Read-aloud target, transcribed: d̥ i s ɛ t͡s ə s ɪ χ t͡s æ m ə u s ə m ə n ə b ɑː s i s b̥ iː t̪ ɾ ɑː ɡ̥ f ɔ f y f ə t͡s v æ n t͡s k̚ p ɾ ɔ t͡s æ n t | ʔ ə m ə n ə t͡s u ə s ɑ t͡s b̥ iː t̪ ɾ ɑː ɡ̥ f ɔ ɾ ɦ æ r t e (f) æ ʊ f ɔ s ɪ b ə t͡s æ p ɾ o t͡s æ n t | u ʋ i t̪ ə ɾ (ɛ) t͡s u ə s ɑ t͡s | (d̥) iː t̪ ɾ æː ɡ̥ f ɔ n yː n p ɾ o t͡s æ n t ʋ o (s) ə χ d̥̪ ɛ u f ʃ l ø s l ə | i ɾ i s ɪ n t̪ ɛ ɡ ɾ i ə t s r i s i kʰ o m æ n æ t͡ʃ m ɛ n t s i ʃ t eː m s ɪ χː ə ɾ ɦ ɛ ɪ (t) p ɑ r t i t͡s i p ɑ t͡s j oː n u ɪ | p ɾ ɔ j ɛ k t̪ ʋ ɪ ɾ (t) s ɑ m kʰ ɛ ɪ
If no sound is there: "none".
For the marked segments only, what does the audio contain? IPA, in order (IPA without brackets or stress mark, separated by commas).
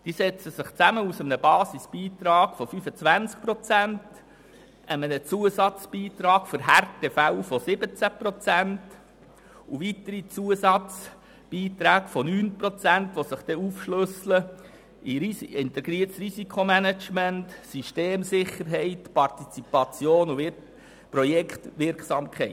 f, i, b̥, s, t, k